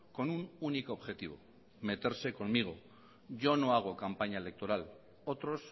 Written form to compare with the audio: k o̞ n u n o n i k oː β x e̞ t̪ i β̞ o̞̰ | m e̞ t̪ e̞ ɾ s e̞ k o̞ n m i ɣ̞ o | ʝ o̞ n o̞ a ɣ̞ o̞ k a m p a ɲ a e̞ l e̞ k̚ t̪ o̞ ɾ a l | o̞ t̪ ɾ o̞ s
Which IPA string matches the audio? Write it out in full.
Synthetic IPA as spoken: k o̞ n u n u n i k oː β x e̞ t̪ i β̞ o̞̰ | m e̞ t̪ e̞ ɾ s e̞ k o̞ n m i ɣ̞ o | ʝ o̞ n o̞ a ɣ̞ o̞ k a m p a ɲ a e̞ l e̞ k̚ t̪ o̞ ɾ a l | o̞ t̪ ɾ o̞ s